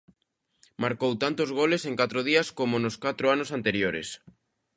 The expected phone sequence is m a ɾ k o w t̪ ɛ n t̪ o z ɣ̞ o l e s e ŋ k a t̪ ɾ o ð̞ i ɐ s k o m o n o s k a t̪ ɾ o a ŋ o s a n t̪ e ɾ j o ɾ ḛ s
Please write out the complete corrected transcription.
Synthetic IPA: m a ɾ k o w t̪ a n t̪ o z ɣ̞ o l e s e ŋ k a t̪ ɾ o ð̞ i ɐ s k o m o n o s k a t̪ ɾ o a n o s a n t̪ e ɾ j o ɾ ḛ s